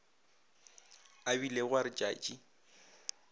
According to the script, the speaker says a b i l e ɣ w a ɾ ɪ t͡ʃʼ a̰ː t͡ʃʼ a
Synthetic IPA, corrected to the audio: a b i l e ɣ w a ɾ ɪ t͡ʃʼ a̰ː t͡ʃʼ i